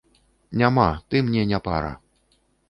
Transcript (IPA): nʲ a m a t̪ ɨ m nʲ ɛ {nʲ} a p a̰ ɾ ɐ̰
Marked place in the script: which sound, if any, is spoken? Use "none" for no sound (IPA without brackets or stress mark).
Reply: nʲ